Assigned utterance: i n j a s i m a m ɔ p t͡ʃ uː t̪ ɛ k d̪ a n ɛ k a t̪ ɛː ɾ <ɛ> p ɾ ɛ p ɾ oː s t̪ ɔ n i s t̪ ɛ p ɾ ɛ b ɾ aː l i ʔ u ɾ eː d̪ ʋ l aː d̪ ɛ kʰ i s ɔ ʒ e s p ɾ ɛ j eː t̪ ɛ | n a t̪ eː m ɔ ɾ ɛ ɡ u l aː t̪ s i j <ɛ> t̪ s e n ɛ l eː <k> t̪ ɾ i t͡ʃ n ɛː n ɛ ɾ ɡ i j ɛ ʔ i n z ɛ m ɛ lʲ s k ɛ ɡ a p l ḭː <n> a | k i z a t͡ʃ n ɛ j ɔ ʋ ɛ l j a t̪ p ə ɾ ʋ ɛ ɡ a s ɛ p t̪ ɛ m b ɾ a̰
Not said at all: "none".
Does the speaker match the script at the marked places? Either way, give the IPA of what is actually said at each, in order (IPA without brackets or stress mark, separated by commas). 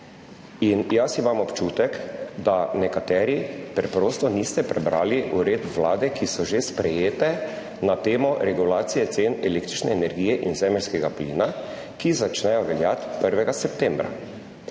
i, ɛ, k, n